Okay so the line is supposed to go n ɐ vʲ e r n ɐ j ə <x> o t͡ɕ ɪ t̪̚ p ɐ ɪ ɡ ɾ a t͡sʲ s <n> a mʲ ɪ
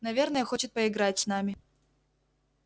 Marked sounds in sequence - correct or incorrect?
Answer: correct, correct

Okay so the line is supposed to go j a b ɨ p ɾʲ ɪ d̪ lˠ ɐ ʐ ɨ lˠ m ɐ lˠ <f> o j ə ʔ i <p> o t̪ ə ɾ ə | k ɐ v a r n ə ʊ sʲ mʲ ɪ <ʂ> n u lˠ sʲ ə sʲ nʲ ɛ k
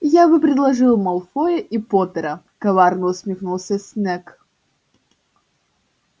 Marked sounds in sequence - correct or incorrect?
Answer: correct, correct, incorrect: x

